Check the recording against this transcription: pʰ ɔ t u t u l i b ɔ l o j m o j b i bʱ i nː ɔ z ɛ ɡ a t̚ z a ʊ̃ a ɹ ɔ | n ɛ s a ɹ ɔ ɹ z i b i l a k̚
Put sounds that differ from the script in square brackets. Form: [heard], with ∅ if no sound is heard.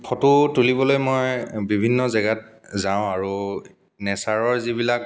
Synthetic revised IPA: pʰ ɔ t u t u l i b ɔ l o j m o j b i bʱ i nː ɔ z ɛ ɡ a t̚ z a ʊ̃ a ɹ [u] | n ɛ s a ɹ ɔ ɹ z i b i l a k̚